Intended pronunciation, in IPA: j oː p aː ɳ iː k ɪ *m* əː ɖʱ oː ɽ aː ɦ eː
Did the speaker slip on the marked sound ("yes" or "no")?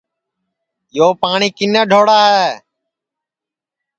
yes